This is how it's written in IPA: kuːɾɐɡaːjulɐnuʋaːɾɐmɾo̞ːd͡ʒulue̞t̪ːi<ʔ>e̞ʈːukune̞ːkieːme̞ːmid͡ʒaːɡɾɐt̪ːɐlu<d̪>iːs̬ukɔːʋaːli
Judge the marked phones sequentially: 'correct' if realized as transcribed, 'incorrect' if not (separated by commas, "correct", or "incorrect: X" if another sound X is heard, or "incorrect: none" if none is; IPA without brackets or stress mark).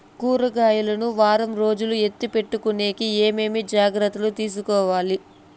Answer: incorrect: p, incorrect: t̪